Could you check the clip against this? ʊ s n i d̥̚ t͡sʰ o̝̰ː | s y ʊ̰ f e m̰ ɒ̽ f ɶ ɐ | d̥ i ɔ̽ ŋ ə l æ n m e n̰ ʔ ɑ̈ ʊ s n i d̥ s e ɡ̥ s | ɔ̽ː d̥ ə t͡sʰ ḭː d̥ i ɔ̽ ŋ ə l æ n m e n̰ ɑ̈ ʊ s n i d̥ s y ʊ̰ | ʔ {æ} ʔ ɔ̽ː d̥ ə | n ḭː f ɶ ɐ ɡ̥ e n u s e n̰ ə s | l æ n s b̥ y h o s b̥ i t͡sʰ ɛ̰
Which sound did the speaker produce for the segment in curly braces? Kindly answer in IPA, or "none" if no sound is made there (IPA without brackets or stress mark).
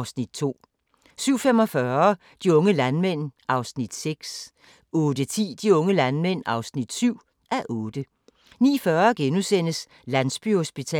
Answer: æ